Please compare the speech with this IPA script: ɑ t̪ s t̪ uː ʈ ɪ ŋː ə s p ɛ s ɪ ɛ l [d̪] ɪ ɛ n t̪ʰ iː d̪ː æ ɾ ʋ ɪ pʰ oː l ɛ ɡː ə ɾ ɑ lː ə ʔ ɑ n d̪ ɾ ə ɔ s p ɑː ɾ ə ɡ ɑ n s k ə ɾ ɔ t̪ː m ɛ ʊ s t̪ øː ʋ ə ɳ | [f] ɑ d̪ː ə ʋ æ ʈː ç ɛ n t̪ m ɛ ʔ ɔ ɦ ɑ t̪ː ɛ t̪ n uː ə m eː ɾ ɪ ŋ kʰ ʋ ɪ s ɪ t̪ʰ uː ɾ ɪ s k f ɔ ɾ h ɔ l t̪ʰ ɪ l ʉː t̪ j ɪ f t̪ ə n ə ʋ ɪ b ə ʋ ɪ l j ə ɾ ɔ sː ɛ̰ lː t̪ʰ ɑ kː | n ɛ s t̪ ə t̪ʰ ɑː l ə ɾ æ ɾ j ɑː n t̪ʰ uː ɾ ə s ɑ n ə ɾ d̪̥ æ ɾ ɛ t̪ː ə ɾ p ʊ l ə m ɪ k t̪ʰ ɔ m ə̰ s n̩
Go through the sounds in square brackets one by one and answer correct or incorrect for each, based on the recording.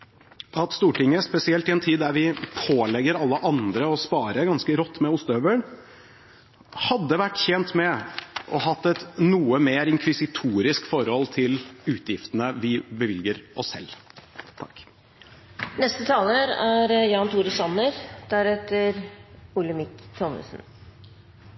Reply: incorrect: t̪, incorrect: h

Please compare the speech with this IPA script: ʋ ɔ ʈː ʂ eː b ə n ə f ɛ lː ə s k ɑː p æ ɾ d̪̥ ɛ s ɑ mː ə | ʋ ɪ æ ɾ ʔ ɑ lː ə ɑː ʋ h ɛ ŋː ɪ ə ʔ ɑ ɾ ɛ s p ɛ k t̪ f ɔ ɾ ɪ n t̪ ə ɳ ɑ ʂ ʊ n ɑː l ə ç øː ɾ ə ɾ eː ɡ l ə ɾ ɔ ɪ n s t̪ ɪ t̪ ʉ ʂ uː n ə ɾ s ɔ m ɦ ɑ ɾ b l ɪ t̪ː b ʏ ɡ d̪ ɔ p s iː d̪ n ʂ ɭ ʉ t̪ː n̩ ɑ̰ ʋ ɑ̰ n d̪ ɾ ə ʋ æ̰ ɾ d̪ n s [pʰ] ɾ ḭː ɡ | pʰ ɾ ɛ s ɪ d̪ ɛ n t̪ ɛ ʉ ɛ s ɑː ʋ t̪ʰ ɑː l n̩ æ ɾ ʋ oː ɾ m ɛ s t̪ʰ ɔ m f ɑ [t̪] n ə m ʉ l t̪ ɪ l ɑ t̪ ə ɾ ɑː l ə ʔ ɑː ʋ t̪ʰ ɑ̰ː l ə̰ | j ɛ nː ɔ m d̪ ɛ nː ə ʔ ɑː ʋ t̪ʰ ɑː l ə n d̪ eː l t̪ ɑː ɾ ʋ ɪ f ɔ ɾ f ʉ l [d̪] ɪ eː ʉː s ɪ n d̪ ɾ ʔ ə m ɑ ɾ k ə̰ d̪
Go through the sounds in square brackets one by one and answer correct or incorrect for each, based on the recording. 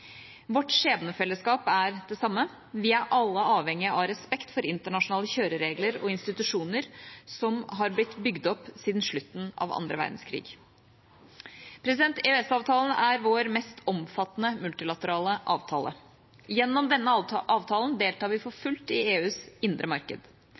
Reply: incorrect: kʰ, correct, incorrect: t̪

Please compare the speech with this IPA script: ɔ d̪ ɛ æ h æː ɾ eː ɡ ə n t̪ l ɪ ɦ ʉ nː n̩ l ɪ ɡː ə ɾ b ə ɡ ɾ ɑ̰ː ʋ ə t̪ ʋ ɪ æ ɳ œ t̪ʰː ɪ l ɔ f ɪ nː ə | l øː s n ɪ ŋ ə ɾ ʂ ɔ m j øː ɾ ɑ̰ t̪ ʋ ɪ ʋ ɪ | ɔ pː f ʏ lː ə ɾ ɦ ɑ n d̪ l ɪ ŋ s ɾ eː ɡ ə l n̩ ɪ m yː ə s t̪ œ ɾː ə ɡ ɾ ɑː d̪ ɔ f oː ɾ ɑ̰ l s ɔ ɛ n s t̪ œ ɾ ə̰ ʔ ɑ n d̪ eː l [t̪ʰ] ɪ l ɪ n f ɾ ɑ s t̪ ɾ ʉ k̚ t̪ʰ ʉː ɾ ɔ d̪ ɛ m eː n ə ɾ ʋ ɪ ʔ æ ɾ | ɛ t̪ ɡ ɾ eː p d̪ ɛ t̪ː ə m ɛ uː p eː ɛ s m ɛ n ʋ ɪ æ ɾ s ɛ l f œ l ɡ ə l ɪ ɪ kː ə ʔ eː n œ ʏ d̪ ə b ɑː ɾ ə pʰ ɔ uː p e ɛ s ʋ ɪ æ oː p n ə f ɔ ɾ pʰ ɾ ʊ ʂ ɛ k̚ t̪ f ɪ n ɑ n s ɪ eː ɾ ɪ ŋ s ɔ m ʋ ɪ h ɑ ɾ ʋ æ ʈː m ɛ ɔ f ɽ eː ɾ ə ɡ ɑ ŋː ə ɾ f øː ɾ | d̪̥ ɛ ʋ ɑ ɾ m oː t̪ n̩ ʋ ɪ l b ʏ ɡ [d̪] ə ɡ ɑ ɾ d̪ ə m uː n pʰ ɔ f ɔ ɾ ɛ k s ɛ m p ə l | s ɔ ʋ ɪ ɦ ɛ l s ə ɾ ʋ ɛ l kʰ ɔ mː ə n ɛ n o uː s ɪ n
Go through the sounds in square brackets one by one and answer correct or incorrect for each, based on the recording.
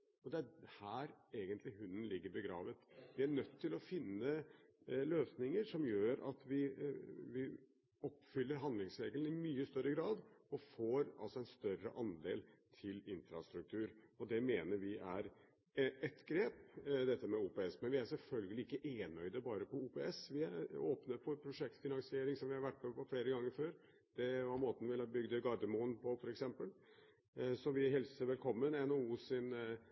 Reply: correct, correct

